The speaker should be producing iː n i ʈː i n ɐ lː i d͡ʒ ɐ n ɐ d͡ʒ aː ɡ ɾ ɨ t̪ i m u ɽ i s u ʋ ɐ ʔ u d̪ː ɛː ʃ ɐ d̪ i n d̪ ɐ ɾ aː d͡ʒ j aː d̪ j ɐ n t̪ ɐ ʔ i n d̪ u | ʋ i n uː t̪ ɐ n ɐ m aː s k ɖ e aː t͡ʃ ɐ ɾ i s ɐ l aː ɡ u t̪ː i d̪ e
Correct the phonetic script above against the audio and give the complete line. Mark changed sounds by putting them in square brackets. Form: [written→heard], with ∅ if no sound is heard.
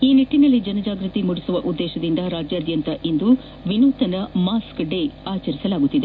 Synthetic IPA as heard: iː n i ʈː i n ɐ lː i d͡ʒ ɐ n ɐ d͡ʒ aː ɡ ɾ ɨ t̪ i m u ɽ i s u ʋ ɐ ʔ u d̪ː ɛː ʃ ɐ d̪ i n d̪ ɐ ɾ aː d͡ʒ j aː d̪ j ɐ n t̪ ɐ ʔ i n d̪ u | ʋ i n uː t̪ ɐ n ɐ m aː s k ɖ e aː t͡ʃ ɐ ɾ i s ɐ l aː ɡ u t̪ː i d̪ e